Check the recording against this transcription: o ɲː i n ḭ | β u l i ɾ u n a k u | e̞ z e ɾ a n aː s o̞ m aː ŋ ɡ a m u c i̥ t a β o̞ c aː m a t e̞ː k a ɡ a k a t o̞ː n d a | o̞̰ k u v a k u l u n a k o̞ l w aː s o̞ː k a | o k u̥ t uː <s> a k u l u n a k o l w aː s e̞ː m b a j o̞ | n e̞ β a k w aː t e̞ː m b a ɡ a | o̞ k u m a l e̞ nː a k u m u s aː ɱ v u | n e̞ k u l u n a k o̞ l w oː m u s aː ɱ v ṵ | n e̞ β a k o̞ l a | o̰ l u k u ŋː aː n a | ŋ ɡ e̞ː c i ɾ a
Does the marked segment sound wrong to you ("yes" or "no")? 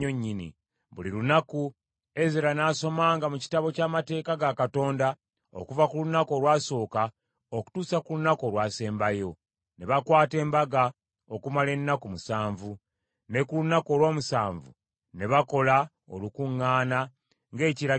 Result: no